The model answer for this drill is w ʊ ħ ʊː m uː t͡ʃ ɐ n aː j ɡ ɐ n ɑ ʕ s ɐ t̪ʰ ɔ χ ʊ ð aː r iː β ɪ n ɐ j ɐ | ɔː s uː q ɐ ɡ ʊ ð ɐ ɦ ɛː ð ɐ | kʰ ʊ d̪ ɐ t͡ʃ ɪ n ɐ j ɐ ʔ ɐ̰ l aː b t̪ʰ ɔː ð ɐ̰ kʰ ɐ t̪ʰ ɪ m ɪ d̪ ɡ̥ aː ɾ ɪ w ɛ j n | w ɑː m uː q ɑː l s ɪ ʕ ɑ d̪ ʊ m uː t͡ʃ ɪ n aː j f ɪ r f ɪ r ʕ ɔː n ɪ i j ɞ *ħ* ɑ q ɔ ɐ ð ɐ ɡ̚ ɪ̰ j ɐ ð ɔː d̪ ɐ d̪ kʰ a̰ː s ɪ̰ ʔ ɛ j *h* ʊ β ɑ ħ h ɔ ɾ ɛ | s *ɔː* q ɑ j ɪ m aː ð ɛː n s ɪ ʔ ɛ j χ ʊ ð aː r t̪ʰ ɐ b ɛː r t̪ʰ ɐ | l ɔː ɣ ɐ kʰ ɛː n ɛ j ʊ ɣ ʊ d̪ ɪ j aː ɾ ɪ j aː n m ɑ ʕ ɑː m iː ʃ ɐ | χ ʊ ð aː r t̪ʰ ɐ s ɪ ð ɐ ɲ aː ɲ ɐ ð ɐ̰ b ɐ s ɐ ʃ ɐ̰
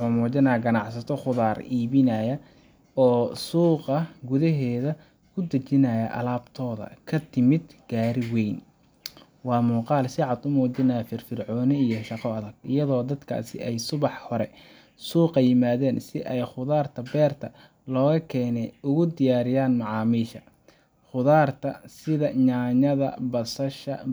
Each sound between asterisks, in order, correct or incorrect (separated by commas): incorrect, incorrect, incorrect